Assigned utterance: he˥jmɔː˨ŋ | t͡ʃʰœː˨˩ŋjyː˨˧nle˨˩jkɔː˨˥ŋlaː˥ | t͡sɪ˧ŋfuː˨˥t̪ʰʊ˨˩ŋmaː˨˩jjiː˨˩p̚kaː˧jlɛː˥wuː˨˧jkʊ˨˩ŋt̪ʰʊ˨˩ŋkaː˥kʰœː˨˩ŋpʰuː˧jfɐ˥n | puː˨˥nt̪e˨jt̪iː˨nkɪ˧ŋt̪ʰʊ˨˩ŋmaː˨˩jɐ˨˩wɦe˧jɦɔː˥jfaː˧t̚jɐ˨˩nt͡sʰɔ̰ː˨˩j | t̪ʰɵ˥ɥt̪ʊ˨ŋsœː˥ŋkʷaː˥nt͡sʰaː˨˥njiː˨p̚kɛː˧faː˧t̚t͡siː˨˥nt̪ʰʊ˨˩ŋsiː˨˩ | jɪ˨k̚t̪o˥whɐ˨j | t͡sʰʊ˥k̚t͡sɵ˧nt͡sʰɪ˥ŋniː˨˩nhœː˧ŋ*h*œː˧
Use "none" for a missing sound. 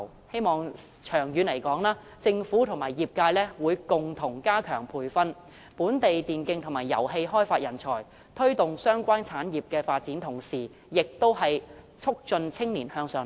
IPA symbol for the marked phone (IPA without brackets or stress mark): s